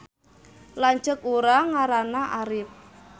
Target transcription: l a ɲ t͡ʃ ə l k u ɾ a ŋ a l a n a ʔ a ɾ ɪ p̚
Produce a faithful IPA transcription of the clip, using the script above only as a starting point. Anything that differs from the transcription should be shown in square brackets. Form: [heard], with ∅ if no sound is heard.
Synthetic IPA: l a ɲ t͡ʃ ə [∅] k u ɾ a ŋ a [ɾ] a n a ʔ a ɾ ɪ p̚